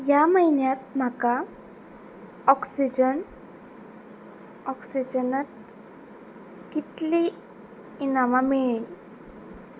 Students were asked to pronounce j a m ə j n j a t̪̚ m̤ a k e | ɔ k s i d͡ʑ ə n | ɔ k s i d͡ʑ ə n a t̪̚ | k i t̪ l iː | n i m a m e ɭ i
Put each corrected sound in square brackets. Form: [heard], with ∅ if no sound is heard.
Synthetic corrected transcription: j a m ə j n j a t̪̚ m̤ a k [a] | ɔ k s i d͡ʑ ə n | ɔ k s i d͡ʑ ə n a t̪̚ | k i t̪ l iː | n [a] m a m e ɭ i

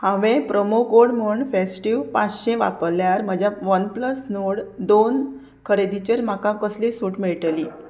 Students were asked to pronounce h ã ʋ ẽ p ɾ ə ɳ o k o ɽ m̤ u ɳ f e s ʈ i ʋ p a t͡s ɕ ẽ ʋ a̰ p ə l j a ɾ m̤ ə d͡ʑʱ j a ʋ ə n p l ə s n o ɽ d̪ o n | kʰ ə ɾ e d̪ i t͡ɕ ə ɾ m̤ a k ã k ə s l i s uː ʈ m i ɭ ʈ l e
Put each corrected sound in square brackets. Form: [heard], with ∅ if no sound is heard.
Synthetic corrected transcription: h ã ʋ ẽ p ɾ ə [m] o k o ɽ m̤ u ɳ f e s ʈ i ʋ p a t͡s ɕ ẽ ʋ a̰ p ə l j a ɾ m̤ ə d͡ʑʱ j a ʋ ə n p l ə s n o ɽ d̪ o n | kʰ ə ɾ e d̪ i t͡ɕ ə ɾ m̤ a k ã k ə s l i s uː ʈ m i ɭ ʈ l [i]

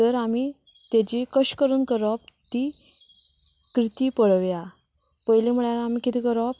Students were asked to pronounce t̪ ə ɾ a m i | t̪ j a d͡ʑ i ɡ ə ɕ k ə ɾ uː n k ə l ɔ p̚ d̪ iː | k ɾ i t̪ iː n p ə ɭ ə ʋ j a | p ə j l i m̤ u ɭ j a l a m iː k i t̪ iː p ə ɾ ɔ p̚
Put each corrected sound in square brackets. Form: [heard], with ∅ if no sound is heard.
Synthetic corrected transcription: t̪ ə ɾ a m i | t̪ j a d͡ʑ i [k] ə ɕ k ə ɾ uː n k ə [ɾ] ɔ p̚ [t̪] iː | k ɾ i t̪ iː [∅] p ə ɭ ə ʋ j a | p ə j l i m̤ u ɭ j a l a m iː k i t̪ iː [k] ə ɾ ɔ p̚

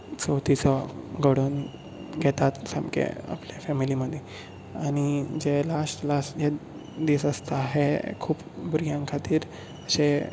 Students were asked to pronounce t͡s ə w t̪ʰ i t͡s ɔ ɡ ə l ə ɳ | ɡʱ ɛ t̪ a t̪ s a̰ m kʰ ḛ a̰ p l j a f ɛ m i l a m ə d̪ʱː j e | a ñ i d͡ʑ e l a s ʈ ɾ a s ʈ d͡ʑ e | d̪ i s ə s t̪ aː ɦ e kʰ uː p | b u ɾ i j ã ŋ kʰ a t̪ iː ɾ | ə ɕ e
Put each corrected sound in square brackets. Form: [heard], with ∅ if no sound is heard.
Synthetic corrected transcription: t͡s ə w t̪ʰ i t͡s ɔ ɡ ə [ɽ] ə [n] | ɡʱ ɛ t̪ a t̪ s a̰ m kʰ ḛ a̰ p l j a f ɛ m i l [i] m ə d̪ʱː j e | a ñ i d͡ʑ e l a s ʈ [l] a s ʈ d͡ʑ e | d̪ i s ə s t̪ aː ɦ e kʰ uː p | b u ɾ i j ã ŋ kʰ a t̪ iː ɾ | ə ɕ e

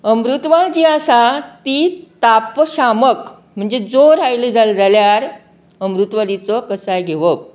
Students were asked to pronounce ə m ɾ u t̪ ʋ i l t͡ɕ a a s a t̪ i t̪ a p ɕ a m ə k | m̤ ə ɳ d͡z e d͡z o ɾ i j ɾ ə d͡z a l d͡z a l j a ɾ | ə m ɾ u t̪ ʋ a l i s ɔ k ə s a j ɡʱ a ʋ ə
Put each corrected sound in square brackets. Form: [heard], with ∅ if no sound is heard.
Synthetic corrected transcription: ə m ɾ u t̪ ʋ [a] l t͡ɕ [i] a s a t̪ i t̪ a p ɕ a m ə k | m̤ ə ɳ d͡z e d͡z o ɾ [a] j [l] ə d͡z a l d͡z a l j a ɾ | ə m ɾ u t̪ ʋ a l i [t͡s] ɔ k ə s a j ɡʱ [e] ʋ ə

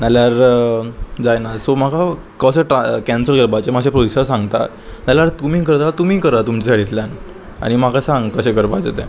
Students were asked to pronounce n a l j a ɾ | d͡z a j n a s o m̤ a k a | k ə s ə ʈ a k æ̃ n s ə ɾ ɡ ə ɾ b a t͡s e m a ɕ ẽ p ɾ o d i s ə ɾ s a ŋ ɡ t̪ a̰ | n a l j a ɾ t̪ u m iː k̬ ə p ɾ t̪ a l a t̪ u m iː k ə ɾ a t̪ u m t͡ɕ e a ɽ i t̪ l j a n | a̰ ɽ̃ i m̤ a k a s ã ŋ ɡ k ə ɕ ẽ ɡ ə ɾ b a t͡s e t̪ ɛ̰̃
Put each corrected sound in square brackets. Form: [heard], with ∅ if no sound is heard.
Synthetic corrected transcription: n a l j a ɾ | d͡z a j n a s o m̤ a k a | k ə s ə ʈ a k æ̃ n s ə ɾ ɡ ə ɾ b a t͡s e m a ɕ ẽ p ɾ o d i s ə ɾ s a ŋ ɡ t̪ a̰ | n a l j a ɾ t̪ u m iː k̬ ə [∅] ɾ t̪ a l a t̪ u m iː k ə ɾ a t̪ u m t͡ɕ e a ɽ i t̪ l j a n | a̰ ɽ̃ i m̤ a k a s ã ŋ ɡ k ə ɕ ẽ ɡ ə ɾ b a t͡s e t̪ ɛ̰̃

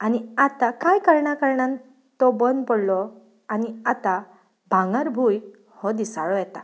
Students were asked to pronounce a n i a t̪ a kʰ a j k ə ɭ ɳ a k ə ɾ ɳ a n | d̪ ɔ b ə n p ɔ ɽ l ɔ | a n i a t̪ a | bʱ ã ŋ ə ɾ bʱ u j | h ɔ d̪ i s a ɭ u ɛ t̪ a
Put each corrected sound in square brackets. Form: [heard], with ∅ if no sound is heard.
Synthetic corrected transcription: a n i a t̪ a [k] a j k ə [ɾ] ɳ a k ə ɾ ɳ a n | [t̪] ɔ b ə n p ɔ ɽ l ɔ | a n i a t̪ a | bʱ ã ŋ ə ɾ bʱ u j | h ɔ d̪ i s a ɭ [ɔ] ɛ t̪ a

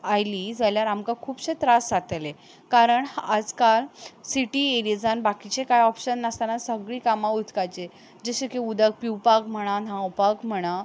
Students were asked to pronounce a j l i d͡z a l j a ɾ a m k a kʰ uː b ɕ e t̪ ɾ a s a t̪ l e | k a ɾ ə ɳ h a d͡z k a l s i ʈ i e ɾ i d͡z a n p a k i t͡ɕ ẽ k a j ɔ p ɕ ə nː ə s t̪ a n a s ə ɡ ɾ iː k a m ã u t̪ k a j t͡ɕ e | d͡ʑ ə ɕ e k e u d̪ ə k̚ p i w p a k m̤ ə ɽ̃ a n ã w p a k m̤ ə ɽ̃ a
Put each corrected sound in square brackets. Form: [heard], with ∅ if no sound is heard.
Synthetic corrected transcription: a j l i d͡z a l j a ɾ a m k a kʰ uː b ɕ e t̪ ɾ a s a t̪ l e | k a ɾ ə ɳ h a d͡z k a l s i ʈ i e ɾ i d͡z a n [b] a k i t͡ɕ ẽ k a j ɔ p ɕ ə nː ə s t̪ a n a s ə ɡ [ɭ] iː k a m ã u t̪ k a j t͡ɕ e | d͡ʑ ə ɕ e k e u d̪ ə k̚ p i w p a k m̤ ə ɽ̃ a n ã w p a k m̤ ə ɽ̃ a

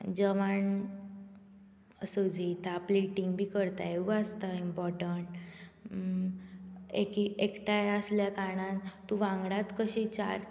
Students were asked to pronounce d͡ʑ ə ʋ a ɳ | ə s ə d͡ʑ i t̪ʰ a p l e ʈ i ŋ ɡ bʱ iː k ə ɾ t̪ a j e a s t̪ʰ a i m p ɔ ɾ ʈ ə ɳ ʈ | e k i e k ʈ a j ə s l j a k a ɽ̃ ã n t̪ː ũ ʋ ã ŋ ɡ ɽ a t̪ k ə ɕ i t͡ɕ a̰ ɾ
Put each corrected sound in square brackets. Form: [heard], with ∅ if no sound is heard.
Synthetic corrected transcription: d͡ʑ ə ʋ a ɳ | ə s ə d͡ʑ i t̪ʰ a p l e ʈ i ŋ ɡ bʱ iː k ə ɾ t̪ a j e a s [t̪] a i m p ɔ ɾ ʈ ə ɳ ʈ | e k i e k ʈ a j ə s l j a k a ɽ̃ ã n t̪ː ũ ʋ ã ŋ ɡ ɽ a t̪ k ə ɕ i t͡ɕ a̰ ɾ

